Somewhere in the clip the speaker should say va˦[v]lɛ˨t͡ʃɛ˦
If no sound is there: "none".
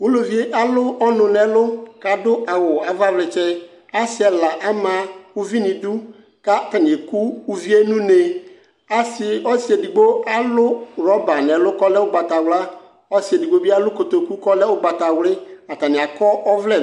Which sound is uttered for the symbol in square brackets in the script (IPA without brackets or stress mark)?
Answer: v